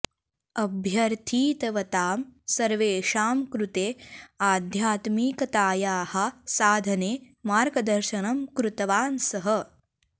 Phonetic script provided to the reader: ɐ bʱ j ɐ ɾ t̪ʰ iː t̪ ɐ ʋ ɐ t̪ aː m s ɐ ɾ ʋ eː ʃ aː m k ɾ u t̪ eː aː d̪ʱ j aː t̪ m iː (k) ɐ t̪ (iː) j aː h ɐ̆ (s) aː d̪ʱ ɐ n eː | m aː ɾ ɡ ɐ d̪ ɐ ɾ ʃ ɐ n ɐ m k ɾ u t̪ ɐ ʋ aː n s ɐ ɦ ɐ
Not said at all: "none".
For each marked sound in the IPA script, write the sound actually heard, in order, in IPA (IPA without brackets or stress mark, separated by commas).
k, aː, s